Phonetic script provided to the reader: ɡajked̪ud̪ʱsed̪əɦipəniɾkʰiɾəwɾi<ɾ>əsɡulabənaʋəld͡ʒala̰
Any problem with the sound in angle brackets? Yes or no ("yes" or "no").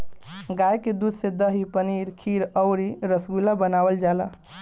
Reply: no